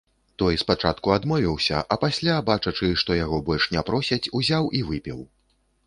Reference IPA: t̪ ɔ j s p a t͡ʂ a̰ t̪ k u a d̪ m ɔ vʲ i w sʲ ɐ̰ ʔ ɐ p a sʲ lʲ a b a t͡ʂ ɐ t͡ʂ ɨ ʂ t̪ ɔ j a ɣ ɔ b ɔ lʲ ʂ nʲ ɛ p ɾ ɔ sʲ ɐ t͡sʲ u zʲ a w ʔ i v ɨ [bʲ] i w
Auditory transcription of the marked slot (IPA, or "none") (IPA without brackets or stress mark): pʲ